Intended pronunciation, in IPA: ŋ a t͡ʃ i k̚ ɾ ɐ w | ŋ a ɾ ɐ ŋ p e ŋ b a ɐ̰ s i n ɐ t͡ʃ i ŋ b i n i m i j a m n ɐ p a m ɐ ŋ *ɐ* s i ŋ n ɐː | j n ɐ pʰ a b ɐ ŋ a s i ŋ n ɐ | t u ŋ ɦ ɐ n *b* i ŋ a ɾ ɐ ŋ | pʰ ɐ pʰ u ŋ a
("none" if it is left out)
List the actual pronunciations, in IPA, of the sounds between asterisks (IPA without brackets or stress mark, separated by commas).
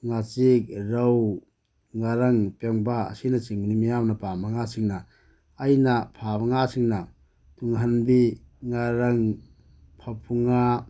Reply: a, b